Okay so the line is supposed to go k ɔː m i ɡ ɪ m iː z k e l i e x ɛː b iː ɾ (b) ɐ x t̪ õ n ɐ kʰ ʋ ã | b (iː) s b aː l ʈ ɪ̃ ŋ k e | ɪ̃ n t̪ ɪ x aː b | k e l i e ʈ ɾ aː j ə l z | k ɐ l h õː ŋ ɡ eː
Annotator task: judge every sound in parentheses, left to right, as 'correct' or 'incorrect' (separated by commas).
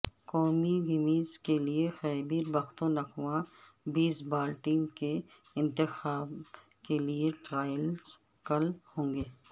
correct, correct